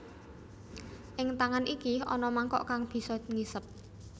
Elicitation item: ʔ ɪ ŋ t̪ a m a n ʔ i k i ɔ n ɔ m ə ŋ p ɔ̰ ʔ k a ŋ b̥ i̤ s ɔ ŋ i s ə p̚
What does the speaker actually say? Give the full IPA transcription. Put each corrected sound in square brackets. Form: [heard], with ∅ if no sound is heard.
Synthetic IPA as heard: ʔ ɪ ŋ t̪ a [ŋ] a n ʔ i k i ɔ n ɔ m [a] ŋ [k] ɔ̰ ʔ k a ŋ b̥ i̤ s ɔ ŋ i s ə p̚